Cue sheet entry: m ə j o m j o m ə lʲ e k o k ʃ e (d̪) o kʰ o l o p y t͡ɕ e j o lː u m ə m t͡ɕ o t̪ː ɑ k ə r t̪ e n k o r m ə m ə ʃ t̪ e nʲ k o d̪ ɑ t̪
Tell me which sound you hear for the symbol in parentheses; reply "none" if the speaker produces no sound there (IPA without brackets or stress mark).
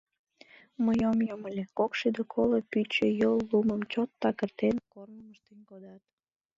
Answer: d̪